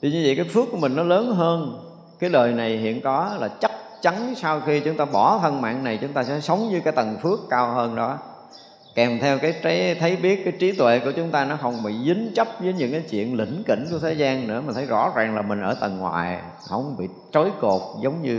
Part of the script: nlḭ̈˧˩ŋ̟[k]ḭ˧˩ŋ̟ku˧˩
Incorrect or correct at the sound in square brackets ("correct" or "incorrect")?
correct